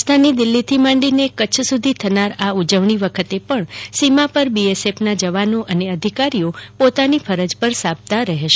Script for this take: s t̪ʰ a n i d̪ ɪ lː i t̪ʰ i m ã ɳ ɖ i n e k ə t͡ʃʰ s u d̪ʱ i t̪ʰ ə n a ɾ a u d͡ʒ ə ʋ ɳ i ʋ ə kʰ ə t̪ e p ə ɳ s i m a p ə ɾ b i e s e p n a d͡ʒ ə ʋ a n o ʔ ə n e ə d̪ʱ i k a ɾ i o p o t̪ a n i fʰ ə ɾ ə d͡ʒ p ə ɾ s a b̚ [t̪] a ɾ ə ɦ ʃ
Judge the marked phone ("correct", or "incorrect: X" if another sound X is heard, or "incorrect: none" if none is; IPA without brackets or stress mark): correct